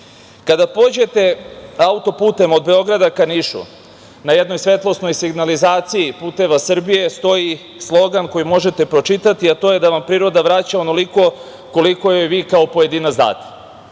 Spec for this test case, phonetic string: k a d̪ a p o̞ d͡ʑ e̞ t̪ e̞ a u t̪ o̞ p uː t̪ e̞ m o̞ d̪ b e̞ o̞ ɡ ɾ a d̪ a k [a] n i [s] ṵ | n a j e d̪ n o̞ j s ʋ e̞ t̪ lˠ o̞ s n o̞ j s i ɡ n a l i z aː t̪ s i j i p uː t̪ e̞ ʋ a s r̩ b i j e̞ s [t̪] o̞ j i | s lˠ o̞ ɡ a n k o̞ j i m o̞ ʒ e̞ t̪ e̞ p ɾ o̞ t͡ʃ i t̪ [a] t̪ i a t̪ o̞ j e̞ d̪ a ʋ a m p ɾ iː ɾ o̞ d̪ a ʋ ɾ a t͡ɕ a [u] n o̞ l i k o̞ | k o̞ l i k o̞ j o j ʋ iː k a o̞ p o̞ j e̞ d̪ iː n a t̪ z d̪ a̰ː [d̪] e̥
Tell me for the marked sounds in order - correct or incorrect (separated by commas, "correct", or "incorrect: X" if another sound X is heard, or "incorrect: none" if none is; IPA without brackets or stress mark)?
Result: correct, incorrect: ʃ, correct, correct, incorrect: o, incorrect: t̪